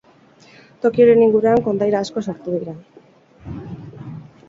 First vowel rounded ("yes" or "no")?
yes